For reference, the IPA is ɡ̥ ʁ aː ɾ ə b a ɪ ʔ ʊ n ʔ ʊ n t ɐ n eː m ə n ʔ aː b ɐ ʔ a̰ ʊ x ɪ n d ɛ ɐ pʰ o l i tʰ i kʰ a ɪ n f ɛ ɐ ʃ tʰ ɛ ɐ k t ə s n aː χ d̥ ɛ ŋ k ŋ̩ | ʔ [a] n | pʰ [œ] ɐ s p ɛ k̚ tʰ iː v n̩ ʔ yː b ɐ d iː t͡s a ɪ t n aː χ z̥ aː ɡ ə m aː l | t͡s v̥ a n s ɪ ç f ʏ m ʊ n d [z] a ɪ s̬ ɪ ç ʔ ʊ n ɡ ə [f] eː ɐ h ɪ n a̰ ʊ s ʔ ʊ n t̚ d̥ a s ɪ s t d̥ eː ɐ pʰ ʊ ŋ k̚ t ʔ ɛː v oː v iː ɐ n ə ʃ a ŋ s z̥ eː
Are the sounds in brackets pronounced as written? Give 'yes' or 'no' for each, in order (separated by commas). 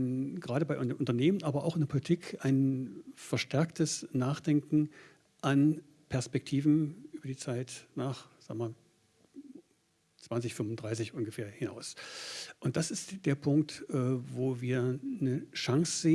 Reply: yes, no, no, yes